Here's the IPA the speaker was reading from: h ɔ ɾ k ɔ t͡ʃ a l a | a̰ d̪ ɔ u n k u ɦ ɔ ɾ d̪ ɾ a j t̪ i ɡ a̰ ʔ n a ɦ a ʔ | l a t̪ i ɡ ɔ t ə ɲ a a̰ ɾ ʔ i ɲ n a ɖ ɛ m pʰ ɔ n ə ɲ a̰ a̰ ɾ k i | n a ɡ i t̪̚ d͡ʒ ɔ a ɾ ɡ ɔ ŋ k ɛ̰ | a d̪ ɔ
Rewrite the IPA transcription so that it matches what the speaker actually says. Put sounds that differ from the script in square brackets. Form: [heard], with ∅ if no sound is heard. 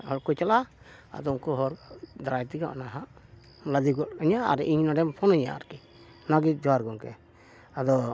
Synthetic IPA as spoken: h ɔ ɾ k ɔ t͡ʃ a l a | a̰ d̪ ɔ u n k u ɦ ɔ ɾ d̪ ɾ a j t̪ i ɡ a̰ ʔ n a ɦ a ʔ | l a [d̪] i ɡ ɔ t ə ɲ a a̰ ɾ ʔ i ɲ n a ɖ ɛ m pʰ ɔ n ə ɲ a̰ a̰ ɾ k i | n a ɡ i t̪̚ d͡ʒ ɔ a ɾ ɡ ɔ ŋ k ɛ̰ | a d̪ ɔ

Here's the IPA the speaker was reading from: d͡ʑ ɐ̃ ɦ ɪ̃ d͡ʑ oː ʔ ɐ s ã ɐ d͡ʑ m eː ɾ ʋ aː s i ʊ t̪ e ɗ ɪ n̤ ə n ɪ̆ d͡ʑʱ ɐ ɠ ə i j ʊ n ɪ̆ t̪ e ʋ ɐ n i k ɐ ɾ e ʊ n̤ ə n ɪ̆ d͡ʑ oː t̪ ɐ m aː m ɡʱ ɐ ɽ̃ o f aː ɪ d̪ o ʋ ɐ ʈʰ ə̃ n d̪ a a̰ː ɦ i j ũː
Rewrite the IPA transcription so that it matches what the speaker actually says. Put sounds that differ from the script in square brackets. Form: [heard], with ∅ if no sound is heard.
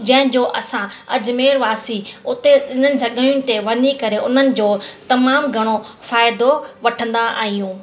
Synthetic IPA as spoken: d͡ʑ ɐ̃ ɦ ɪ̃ d͡ʑ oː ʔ ɐ s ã ɐ d͡ʑ m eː ɾ ʋ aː s i ʊ t̪ e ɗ ɪ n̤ ə n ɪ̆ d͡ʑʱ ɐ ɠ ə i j ʊ n ɪ̆ t̪ e ʋ ɐ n i k ɐ ɾ e ʊ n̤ ə n ɪ̆ d͡ʑ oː t̪ ɐ m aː m ɡʱ ɐ ɽ̃ o f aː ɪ d̪ o ʋ ɐ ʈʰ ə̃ n d̪ a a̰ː ɦ i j ũː

